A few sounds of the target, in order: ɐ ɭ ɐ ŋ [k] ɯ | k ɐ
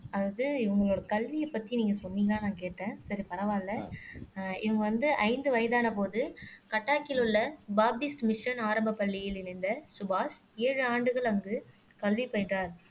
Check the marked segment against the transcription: incorrect: ɡ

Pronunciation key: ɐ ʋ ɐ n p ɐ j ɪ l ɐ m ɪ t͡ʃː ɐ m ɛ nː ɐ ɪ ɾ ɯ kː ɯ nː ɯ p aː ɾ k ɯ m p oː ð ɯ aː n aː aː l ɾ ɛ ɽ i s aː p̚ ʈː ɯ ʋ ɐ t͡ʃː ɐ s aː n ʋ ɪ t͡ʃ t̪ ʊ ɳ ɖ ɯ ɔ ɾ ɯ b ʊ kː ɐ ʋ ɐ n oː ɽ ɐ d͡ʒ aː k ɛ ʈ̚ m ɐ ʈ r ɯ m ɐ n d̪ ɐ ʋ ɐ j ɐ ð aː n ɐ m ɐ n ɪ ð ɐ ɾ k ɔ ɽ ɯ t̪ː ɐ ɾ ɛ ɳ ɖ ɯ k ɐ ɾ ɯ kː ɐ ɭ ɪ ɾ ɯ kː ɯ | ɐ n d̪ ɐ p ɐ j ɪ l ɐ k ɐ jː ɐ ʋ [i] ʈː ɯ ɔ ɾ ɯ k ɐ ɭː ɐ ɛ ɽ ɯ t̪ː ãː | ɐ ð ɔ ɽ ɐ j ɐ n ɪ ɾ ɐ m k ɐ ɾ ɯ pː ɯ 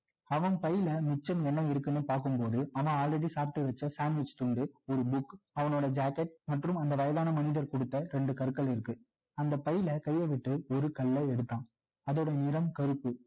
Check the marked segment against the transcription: incorrect: ɪ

